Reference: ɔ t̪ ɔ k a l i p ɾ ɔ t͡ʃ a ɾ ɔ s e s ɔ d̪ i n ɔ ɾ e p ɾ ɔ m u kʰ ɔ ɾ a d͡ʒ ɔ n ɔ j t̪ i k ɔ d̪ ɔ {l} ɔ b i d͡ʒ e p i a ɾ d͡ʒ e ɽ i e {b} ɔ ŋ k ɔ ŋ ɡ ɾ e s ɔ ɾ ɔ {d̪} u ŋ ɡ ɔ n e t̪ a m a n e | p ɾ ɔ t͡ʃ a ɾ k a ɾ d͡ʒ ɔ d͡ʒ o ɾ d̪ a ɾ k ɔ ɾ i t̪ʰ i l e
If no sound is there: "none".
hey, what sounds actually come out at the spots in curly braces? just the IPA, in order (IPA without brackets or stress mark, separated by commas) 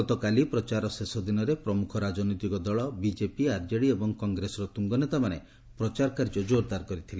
ɭ, b, t̪